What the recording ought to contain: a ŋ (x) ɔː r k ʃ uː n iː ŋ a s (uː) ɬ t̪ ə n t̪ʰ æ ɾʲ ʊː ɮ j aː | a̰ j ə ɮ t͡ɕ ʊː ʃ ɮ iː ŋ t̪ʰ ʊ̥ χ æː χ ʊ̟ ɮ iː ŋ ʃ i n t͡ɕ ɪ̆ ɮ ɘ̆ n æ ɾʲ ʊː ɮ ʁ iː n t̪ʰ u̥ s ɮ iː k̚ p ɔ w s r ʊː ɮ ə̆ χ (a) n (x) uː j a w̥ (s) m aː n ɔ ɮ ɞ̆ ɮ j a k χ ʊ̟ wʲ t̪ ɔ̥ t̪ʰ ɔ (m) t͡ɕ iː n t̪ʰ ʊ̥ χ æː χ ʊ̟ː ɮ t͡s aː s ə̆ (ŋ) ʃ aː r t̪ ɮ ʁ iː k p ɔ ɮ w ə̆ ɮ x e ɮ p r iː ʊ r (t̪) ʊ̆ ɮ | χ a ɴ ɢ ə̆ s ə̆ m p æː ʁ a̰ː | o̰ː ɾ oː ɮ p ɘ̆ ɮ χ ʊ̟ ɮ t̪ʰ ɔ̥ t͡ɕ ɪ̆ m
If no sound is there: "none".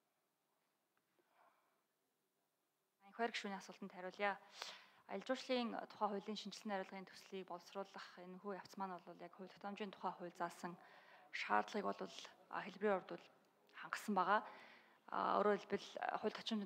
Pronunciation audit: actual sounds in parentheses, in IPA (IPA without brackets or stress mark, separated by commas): x, ʊː, e, x, t͡s, m, ŋ, t̪